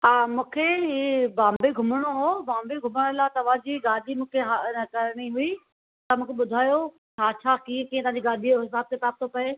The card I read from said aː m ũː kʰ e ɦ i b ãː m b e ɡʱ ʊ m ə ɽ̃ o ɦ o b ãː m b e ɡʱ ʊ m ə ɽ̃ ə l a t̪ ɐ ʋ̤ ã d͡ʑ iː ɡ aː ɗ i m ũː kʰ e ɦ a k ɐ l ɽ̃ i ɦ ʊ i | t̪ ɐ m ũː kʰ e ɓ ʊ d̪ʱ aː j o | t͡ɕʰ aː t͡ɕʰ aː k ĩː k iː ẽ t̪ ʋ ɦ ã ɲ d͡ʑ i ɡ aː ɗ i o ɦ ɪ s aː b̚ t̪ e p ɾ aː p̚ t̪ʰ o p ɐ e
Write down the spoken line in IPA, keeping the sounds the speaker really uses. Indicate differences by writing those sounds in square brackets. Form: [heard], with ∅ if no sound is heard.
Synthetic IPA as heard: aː m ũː kʰ e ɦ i b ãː m b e ɡʱ ʊ m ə ɽ̃ o ɦ o b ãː m b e ɡʱ ʊ m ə ɽ̃ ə l a t̪ ɐ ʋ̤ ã d͡ʑ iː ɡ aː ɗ i m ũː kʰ e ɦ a k ɐ [ɾ] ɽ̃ i ɦ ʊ i | t̪ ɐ m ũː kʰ e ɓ ʊ d̪ʱ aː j o | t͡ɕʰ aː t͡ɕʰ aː k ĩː k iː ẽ t̪ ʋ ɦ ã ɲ d͡ʑ i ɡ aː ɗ i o ɦ ɪ s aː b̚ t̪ e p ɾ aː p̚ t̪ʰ o p ɐ e